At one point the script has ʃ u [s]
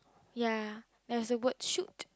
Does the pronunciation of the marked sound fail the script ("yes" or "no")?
yes